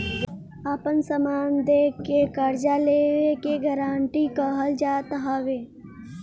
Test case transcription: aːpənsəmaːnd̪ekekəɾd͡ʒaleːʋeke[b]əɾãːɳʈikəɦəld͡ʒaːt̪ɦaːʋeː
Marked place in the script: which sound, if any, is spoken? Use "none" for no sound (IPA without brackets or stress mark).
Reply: ɡ